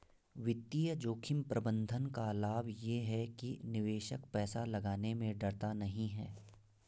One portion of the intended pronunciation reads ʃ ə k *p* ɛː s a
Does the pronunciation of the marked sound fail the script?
no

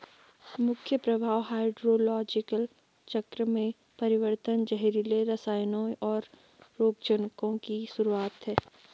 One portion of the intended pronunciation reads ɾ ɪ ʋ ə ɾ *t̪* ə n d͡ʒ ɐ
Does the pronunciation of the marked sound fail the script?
no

